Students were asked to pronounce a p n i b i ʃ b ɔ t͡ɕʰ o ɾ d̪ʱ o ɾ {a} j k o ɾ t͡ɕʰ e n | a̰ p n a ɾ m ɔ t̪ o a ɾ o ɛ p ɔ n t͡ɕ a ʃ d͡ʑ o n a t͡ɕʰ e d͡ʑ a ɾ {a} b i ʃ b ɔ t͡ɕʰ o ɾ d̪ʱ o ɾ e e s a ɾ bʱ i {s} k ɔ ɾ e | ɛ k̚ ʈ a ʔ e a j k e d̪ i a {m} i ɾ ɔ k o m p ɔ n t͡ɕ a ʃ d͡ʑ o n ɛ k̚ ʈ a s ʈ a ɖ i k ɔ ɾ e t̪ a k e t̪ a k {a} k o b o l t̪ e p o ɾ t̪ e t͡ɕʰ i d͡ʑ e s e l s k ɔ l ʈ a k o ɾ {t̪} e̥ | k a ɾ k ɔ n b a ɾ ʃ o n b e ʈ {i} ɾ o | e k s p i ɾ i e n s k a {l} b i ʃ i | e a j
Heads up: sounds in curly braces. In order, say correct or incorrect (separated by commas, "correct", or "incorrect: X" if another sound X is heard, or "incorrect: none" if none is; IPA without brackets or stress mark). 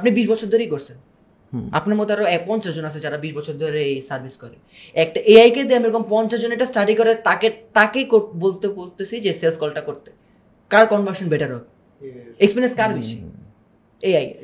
incorrect: e, correct, correct, correct, incorrect: e, correct, incorrect: a, incorrect: ɾ